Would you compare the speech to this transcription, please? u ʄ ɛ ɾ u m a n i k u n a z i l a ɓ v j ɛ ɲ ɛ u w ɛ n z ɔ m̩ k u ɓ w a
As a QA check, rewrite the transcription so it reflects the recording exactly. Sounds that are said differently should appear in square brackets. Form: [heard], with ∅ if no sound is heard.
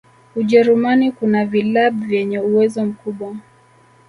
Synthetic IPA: u ʄ ɛ ɾ u m a n i k u n a [v] i l a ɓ v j ɛ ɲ ɛ u w ɛ [∅] z ɔ m̩ k u ɓ w a